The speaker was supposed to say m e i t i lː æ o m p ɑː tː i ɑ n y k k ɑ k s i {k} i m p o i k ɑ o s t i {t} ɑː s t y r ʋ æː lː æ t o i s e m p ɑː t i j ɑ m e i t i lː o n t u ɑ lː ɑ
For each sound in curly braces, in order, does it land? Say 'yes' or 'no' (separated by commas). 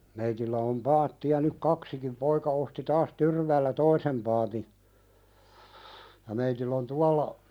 yes, yes